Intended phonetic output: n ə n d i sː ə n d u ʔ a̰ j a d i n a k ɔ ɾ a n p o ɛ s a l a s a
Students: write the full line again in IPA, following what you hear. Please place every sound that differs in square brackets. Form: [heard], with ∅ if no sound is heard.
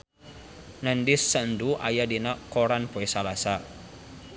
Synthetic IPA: n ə n d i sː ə n d u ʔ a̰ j a d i n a k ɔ ɾ a n p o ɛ s a l a s a